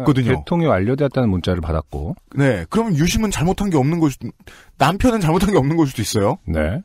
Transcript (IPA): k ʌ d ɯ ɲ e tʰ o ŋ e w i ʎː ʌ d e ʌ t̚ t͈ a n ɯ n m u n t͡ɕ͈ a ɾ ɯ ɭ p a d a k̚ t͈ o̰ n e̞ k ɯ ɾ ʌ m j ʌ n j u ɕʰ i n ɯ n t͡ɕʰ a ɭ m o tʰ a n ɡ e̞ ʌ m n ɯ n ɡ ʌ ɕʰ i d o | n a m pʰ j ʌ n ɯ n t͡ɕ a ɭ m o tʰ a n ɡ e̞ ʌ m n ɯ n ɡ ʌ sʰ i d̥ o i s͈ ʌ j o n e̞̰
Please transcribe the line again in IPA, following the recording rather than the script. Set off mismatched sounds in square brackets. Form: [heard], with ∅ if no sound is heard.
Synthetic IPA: k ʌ d ɯ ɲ e tʰ o ŋ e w [a] ʎː ʌ d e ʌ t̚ t͈ a n ɯ n m u n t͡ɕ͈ a ɾ ɯ ɭ p a d a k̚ [k͈] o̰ n e̞ k ɯ ɾ ʌ m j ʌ n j u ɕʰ i [m] ɯ n [t͡ɕ] a ɭ m o tʰ a n ɡ e̞ ʌ m n ɯ n ɡ ʌ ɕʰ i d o | n a m pʰ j ʌ n ɯ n t͡ɕ a ɭ m o tʰ a n ɡ e̞ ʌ m n ɯ n ɡ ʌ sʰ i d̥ o i s͈ ʌ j o n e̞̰

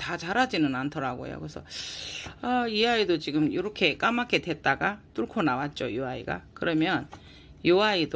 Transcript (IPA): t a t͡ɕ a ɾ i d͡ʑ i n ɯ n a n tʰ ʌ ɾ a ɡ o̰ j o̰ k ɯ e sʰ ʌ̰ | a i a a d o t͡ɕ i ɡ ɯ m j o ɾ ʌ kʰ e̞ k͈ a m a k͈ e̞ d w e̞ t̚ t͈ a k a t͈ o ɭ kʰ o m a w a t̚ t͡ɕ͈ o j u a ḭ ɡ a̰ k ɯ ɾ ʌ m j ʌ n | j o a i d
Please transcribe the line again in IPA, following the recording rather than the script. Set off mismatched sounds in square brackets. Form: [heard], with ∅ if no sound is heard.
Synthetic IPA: t a t͡ɕ a ɾ [a] d͡ʑ i n ɯ n a n tʰ ʌ ɾ a ɡ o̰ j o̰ k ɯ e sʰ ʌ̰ | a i a [i] d o t͡ɕ i ɡ ɯ m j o ɾ ʌ kʰ e̞ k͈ a m a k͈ e̞ d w e̞ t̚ t͈ a [ɡ] a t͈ [u] ɭ kʰ o [n] a w a t̚ t͡ɕ͈ o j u a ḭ ɡ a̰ k ɯ ɾ ʌ m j ʌ n | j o a i d

